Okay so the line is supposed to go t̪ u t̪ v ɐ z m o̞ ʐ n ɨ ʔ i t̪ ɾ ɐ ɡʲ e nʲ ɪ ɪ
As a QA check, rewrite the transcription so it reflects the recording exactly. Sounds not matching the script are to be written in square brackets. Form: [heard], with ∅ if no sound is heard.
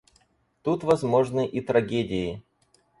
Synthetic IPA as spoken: t̪ u t̪ v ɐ z m o̞ ʐ n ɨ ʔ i t̪ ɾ ɐ ɡʲ e [dʲ] ɪ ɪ